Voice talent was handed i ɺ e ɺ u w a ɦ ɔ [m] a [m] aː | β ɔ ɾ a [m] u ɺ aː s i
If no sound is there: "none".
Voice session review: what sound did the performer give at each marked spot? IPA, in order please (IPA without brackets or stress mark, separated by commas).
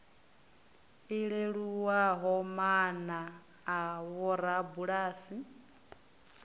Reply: m, n, b